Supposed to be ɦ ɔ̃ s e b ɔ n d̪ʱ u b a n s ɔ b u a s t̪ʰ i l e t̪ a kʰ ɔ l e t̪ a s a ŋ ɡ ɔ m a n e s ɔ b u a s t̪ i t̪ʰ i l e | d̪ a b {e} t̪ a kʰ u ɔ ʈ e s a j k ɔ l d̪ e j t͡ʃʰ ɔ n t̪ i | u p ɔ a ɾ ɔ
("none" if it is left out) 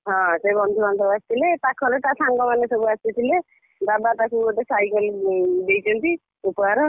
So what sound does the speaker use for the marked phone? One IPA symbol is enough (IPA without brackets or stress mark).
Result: a